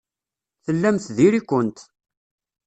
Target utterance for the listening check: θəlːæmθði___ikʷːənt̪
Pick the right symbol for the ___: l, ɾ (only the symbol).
ɾ